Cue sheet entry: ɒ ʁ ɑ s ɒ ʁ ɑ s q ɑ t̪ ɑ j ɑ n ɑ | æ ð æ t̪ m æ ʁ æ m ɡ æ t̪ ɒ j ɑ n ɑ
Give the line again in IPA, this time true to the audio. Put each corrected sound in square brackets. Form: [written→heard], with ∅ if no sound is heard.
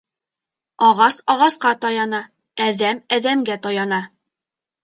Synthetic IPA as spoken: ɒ ʁ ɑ s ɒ ʁ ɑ s q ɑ t̪ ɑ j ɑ n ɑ | æ ð æ [t̪→∅] m æ [ʁ→ð] æ m ɡ æ t̪ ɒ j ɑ n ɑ